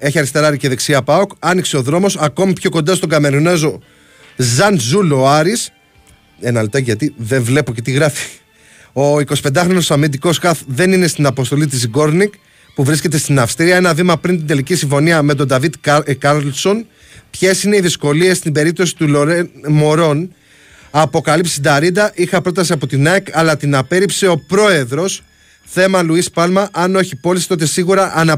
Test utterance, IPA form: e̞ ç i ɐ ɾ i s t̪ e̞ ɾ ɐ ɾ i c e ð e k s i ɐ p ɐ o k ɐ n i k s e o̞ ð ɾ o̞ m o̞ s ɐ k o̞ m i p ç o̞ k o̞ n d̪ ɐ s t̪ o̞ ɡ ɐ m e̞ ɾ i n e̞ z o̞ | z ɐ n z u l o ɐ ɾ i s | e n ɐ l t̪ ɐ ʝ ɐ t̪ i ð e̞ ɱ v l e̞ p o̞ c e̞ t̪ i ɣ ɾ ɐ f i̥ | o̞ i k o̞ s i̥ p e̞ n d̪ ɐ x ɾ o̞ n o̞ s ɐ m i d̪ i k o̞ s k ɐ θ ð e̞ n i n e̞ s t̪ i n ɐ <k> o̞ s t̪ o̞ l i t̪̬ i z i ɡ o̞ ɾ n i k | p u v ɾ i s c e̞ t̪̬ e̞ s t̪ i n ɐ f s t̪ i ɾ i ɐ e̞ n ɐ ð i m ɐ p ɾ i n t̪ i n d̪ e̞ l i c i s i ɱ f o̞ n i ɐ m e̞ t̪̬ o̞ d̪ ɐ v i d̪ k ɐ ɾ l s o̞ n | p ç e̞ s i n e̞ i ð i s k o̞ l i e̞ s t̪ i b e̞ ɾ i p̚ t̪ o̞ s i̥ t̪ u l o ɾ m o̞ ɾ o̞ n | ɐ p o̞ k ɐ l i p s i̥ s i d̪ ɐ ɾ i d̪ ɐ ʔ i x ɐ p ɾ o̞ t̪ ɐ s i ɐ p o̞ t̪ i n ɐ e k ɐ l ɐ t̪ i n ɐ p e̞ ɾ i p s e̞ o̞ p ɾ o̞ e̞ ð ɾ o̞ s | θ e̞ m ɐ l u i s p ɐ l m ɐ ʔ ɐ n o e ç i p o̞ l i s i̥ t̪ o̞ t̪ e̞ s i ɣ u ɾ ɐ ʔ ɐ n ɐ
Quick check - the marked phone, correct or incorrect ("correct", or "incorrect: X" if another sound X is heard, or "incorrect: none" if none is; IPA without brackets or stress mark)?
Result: incorrect: p